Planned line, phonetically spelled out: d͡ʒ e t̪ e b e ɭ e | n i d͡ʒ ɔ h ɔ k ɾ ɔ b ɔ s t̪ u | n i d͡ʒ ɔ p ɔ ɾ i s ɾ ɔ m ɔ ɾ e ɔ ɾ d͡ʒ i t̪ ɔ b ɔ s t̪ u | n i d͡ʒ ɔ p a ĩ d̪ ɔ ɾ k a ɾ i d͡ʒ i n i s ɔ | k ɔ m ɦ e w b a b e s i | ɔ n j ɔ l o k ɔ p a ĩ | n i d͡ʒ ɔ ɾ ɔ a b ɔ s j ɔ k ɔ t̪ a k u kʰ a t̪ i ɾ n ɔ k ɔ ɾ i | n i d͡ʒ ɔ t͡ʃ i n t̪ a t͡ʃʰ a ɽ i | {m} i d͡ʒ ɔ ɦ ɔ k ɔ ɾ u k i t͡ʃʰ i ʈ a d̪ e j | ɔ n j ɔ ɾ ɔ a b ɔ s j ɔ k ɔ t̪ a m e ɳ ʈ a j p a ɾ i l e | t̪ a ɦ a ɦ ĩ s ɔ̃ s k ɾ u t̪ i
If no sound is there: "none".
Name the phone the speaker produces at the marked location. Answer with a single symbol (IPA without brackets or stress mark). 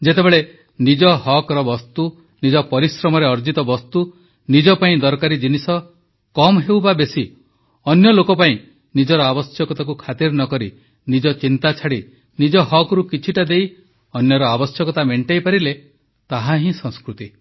n